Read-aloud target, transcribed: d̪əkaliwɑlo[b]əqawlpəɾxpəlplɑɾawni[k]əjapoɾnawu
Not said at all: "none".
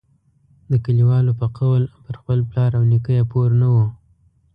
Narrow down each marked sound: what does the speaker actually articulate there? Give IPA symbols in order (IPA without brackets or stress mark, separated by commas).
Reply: p, k